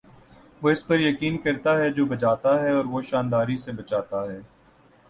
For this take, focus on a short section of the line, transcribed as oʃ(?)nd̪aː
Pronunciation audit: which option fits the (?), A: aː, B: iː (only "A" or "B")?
A